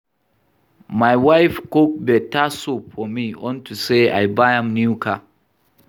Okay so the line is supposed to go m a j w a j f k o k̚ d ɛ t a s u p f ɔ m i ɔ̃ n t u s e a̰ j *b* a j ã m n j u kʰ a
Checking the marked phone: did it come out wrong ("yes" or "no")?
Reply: no